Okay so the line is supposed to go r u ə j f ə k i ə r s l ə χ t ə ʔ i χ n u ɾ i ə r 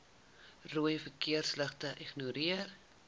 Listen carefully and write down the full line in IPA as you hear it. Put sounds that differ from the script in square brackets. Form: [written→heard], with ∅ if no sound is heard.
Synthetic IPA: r u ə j f ə k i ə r s l ə χ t ə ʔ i χ n u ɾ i ə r